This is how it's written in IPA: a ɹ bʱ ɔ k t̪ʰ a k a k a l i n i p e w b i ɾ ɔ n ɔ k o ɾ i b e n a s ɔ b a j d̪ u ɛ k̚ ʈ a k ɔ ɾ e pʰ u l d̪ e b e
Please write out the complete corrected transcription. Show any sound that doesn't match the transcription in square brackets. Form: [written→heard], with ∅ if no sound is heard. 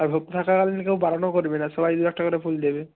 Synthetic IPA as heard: a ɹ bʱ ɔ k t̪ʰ a k a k a l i n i [p→k] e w b [i→a] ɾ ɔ n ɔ k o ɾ i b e n a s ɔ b a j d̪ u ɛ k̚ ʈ a k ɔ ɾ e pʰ u l d̪ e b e